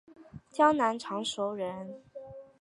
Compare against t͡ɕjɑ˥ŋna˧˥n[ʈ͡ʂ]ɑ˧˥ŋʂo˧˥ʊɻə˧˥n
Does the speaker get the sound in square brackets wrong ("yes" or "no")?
yes